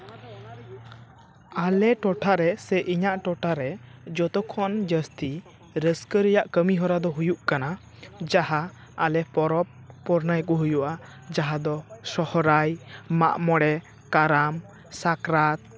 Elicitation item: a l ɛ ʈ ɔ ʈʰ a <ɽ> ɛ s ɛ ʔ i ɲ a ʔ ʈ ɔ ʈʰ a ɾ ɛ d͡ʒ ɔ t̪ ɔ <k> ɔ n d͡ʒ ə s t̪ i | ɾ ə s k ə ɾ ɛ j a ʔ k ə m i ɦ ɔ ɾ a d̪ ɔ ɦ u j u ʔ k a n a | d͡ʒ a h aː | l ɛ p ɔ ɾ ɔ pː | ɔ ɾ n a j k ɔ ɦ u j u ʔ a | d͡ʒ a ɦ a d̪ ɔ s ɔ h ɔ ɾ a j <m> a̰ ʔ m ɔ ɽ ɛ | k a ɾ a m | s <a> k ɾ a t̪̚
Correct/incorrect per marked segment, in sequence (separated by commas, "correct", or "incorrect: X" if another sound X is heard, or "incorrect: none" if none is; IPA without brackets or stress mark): incorrect: ɾ, incorrect: kʰ, correct, correct